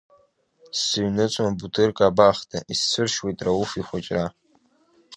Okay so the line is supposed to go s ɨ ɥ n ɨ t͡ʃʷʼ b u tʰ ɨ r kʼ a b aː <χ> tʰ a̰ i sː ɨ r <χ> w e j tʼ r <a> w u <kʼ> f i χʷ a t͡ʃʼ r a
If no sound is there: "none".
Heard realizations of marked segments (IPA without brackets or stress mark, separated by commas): χ, ʃ, a, none